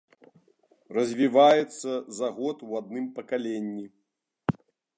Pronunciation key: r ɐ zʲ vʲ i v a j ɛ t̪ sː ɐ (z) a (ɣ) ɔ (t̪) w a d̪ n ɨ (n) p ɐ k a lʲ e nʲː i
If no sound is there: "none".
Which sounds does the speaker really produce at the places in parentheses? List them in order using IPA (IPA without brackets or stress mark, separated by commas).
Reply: z, ɣ, t̪, m